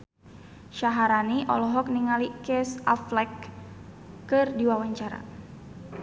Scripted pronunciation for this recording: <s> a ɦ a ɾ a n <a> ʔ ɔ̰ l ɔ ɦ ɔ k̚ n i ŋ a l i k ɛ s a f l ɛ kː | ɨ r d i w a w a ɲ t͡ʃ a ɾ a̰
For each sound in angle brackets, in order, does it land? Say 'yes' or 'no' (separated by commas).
no, no